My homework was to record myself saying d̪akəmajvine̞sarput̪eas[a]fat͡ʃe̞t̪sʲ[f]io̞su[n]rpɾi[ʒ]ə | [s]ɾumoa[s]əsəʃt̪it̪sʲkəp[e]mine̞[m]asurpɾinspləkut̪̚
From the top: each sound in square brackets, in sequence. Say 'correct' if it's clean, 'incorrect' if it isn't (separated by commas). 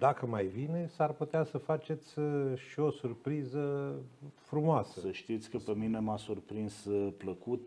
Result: incorrect, incorrect, incorrect, incorrect, incorrect, correct, correct, correct